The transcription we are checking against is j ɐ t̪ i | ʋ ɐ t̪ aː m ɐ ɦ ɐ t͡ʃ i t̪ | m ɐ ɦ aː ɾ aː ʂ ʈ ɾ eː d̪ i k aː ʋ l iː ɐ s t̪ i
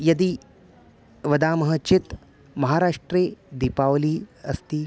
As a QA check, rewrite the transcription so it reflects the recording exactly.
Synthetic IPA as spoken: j ɐ d̪ i | ʋ ɐ d̪ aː m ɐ ɦ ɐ t͡ʃ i t̪ | m ɐ ɦ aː ɾ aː ʂ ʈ ɾ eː d̪ i p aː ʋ l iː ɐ s t̪ i